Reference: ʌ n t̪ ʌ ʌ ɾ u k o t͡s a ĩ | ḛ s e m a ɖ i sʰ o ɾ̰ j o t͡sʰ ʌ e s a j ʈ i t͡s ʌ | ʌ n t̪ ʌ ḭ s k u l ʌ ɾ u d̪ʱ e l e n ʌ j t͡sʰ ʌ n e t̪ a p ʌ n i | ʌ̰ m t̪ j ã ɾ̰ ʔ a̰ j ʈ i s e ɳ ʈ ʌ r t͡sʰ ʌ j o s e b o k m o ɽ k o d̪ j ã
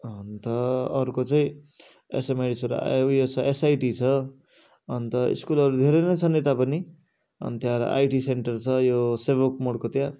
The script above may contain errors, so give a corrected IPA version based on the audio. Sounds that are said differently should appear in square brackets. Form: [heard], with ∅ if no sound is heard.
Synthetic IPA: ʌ n t̪ ʌ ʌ ɾ u k o t͡s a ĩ | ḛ s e m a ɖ i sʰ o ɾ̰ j o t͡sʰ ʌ e s a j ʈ i [t͡sʰ] ʌ | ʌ n t̪ ʌ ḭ s k u l ʌ ɾ u d̪ʱ e [ɾ] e n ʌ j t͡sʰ ʌ n e t̪ a p ʌ n i | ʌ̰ [n] t̪ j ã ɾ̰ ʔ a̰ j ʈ i s e ɳ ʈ ʌ r t͡sʰ ʌ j o s e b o k m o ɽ k o [t̪] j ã